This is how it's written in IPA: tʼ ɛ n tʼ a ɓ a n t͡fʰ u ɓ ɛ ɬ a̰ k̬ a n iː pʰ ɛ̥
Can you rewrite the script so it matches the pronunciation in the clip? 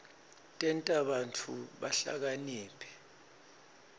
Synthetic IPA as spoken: tʼ ɛ n tʼ a ɓ a n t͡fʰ u ɓ a ɬ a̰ k̬ a n iː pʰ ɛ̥

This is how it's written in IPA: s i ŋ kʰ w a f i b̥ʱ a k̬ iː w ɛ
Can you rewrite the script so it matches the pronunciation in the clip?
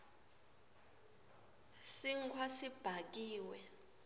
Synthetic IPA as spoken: s i ŋ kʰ w a s i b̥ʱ a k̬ iː w ɛ

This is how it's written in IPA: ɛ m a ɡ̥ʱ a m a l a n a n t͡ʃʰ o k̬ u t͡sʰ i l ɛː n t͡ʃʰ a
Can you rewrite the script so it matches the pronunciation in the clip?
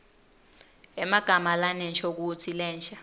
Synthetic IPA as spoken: ɛ m a ɡ̥ʱ a m a l a n ɛ n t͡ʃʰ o k̬ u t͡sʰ i l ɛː n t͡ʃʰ a

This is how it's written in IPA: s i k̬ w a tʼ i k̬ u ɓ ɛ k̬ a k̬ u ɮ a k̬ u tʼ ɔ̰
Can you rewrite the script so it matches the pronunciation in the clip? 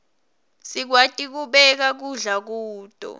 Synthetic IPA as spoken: s i k̬ w a tʼ i k̬ u ɓ ɛ k̬ a k̬ u ɮ a k̬ uː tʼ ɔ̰

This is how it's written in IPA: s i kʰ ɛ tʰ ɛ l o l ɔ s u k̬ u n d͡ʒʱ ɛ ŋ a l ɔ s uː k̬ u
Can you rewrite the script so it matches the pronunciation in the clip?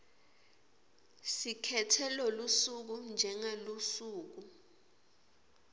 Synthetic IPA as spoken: s i kʰ ɛ tʰ ɛ l ɔ l u s u k̬ u n d͡ʒʱ ɛ ŋ a l u s uː k̬ u

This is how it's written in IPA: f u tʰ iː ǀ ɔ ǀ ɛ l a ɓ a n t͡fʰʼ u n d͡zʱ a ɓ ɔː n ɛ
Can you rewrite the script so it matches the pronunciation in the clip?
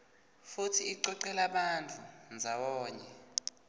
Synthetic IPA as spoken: f u tʰ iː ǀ ɔ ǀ ɛ l a ɓ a n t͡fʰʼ u n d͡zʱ a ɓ ɔː ɲ ɛ

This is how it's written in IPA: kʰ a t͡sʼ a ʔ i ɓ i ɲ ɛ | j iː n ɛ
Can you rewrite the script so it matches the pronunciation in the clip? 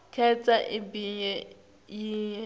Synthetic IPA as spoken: kʰ ɛ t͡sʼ a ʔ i b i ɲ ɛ | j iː ɲ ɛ

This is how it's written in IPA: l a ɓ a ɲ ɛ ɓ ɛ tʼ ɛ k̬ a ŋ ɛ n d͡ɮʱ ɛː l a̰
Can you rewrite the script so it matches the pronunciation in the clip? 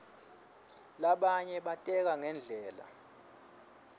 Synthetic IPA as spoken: l a ɓ a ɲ ɛ ɓ a tʼ ɛ k̬ a ŋ ɛ n d͡ɮʱ ɛː l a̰

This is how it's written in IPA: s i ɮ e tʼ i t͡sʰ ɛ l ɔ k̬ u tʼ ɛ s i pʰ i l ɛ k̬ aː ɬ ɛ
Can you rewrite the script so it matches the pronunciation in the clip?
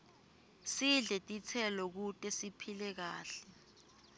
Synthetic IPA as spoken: s i ɮ ɛ tʼ i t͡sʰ ɛ l ɔ k̬ u tʼ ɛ s i pʰ i l ɛ k̬ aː ɬ ɛ

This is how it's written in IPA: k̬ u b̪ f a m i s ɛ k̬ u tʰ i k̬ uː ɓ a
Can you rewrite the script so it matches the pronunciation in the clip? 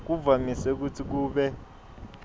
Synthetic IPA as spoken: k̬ u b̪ v a m i s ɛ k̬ u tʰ i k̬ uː ɓ ɛ

